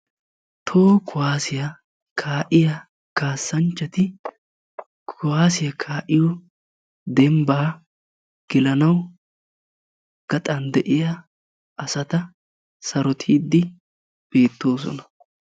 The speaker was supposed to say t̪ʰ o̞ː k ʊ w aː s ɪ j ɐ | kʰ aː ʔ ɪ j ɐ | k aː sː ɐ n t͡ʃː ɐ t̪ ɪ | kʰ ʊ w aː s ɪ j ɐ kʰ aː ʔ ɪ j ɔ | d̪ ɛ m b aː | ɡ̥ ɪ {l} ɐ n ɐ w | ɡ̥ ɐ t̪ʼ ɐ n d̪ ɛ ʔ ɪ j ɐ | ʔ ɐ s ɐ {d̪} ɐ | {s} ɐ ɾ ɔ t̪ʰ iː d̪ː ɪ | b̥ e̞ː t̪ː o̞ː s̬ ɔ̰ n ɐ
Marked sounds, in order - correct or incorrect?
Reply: correct, incorrect: t̪, correct

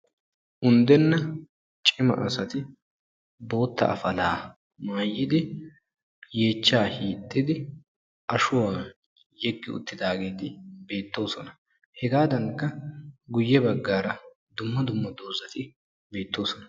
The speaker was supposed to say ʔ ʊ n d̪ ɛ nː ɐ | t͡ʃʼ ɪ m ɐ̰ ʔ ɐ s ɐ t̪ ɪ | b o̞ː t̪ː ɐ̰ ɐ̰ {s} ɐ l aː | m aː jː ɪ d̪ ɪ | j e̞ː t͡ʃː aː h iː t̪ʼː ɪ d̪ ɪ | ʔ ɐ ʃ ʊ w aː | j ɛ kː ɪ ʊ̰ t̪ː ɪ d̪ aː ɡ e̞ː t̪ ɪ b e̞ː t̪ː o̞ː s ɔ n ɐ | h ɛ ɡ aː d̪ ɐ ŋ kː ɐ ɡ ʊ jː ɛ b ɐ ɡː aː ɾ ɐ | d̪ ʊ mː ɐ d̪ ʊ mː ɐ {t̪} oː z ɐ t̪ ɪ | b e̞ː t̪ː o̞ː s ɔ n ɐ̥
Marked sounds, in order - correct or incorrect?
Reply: incorrect: f, incorrect: d̪

